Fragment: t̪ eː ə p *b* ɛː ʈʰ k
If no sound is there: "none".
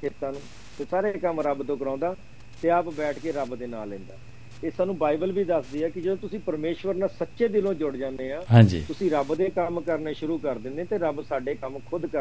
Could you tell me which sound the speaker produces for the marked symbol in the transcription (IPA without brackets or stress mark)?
b